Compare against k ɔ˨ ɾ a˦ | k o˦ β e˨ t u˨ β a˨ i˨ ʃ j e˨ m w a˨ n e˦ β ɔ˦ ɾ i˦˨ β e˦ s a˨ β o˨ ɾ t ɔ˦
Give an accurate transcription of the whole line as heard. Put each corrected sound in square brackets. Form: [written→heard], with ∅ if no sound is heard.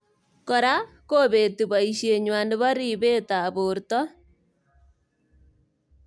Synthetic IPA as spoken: k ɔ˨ ɾ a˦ | k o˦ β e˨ t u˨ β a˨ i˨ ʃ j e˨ [m→ɲ] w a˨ n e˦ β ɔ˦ ɾ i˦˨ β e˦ [s→t] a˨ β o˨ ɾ t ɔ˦

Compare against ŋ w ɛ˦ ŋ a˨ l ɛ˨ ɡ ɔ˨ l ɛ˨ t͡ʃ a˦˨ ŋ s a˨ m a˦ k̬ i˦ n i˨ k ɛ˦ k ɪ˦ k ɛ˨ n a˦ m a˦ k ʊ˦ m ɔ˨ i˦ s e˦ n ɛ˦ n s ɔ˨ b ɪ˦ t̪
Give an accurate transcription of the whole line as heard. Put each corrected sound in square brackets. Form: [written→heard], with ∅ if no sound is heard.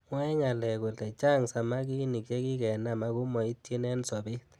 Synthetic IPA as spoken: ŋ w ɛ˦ ŋ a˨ l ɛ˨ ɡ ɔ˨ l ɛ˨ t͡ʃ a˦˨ ŋ s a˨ m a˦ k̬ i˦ n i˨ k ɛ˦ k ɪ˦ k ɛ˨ n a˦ m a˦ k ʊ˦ m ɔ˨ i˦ [s→t] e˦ n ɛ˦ n s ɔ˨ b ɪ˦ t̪

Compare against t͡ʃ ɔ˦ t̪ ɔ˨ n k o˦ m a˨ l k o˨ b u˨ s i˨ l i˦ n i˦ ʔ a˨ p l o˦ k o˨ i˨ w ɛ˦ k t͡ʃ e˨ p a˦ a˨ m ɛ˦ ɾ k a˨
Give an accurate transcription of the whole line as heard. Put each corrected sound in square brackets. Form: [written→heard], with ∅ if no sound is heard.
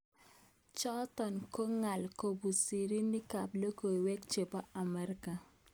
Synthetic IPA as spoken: t͡ʃ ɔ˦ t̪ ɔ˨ n k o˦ [m→ŋ] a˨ l k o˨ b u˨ s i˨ [l→ɾ] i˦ n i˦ [ʔ→k] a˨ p l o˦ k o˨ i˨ w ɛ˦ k t͡ʃ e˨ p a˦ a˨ m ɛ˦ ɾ k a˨

